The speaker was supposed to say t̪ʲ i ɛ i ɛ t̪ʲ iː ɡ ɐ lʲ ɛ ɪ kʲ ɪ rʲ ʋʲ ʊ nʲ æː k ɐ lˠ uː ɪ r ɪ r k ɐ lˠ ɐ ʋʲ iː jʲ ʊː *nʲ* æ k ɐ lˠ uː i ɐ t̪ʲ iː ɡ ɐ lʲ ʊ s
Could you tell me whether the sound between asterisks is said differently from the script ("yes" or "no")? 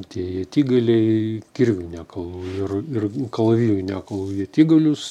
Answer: no